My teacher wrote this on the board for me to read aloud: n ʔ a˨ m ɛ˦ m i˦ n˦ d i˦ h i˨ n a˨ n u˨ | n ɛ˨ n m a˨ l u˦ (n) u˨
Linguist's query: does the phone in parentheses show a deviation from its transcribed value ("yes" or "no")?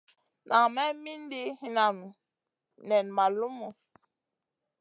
yes